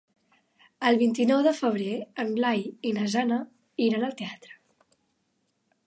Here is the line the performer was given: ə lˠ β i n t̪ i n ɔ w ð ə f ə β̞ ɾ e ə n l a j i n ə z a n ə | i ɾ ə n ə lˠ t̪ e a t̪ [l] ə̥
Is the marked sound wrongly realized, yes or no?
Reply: yes